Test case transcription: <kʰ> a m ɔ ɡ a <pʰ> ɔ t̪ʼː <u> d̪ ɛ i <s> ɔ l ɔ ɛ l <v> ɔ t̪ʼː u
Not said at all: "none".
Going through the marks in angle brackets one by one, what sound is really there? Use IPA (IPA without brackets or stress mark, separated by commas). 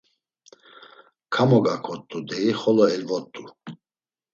kʰ, kʰ, u, χ, v